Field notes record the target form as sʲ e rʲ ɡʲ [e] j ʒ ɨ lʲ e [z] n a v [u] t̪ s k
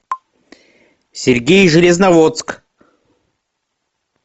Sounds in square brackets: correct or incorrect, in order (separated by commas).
correct, correct, incorrect